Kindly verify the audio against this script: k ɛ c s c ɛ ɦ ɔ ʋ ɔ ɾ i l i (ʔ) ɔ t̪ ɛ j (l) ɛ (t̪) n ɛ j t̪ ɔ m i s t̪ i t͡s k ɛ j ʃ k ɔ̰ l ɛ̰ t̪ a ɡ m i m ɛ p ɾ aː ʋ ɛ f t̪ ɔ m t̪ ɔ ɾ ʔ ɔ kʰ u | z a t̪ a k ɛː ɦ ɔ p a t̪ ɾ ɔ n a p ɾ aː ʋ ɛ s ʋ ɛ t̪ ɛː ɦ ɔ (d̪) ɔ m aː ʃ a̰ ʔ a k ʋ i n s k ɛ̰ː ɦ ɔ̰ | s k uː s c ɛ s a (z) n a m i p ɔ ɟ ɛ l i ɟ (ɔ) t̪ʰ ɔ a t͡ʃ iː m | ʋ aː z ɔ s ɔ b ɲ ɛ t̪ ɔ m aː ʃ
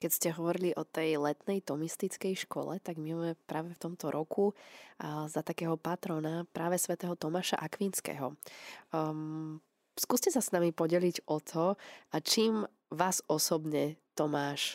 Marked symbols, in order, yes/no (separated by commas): yes, yes, yes, no, no, yes